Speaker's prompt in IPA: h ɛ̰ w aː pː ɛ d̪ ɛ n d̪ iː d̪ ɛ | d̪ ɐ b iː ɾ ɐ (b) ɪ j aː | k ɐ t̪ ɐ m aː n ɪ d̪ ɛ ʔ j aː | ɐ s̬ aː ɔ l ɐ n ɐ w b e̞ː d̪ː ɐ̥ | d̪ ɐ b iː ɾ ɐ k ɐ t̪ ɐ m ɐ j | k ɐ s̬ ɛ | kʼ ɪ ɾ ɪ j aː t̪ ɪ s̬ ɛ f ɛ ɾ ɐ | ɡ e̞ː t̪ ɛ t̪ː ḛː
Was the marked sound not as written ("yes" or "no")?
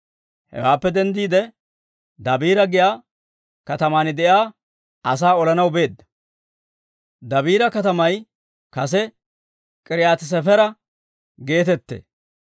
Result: yes